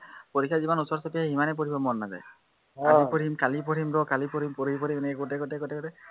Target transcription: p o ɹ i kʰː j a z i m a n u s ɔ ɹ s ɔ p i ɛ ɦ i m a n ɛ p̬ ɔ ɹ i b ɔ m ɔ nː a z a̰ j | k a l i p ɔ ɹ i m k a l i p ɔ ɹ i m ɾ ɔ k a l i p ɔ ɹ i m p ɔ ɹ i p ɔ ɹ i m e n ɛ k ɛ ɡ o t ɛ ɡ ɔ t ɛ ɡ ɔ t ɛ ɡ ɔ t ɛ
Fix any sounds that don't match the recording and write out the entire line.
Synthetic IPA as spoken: p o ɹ i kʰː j a z i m a n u s ɔ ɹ s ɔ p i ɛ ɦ i m a n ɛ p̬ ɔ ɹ i b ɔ m ɔ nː a z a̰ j | k a l i p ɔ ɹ i m k a l i p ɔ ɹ i m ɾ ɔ k a l i p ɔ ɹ i m p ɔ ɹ i p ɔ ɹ i m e n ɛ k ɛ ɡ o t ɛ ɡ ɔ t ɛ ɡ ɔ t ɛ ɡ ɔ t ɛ